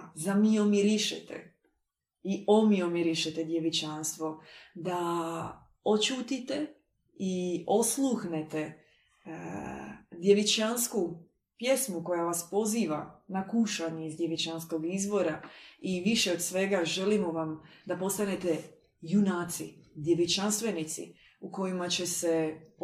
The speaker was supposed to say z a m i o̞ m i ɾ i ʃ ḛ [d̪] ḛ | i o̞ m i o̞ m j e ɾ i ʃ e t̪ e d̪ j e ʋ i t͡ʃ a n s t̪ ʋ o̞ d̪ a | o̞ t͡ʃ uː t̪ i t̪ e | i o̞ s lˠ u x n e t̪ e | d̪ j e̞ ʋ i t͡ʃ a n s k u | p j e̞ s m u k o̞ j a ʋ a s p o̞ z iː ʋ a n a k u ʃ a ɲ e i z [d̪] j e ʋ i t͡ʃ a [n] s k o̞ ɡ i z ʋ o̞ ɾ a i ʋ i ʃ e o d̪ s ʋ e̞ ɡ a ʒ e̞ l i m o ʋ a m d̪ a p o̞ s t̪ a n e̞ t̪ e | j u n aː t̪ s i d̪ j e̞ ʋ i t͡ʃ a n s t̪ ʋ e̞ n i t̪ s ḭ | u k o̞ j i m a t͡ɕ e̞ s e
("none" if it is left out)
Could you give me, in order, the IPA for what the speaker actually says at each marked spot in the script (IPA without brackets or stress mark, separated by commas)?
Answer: t̪, d̪, n